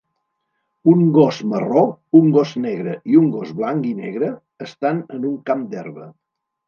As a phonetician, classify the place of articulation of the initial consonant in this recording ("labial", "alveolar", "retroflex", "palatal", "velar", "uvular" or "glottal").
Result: velar